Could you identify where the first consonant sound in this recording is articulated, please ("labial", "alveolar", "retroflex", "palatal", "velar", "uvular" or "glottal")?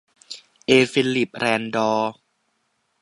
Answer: glottal